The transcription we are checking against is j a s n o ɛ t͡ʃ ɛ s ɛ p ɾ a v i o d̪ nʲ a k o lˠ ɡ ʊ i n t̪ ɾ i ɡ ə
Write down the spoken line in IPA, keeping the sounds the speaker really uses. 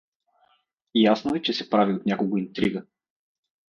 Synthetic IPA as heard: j a s n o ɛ t͡ʃ ɛ s ɛ p ɾ a v i o t̪ nʲ a k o lˠ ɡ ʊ i n t̪ ɾ i ɡ ə

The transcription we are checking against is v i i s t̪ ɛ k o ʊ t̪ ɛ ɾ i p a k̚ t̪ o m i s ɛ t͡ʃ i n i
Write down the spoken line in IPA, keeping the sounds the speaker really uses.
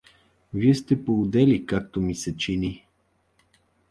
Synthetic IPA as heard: v i ɛ s t̪ ɛ p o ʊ d̪ ɛ l i k a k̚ t̪ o m i s ɛ t͡ʃ i n i

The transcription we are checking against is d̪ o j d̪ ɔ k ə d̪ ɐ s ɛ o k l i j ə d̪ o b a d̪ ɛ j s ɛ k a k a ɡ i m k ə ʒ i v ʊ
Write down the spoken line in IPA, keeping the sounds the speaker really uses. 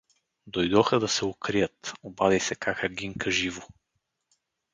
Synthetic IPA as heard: d̪ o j d̪ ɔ x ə d̪ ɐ s ɛ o k ɾ i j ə t̪ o b a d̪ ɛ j s ɛ k a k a ɡ i ŋ k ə ʒ i v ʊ

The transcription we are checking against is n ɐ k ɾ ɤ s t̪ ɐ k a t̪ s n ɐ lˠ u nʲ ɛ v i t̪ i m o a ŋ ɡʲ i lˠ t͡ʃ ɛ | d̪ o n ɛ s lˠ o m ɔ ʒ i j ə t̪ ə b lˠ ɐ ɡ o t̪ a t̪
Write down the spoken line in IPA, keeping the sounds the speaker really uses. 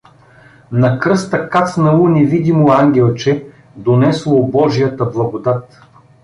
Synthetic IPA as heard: n ɐ k ɾ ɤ s t̪ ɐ k a t̪ s n ɐ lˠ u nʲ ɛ v i d̪ i m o a ŋ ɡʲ ɛ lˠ t͡ʃ ɛ | d̪ o n ɛ s lˠ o b ɔ ʒ i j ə t̪ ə b lˠ ɐ ɡ o d̪ a t̪

